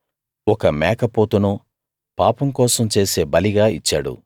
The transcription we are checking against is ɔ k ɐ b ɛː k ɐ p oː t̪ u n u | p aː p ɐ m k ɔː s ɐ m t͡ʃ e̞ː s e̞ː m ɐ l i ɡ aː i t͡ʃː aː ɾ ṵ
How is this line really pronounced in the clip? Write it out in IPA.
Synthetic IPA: ɔ k ɐ m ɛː k ɐ p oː t̪ u n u | p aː p ɐ m k ɔː s ɐ m t͡ʃ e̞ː s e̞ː b ɐ l i ɡ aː i t͡ʃː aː ɽ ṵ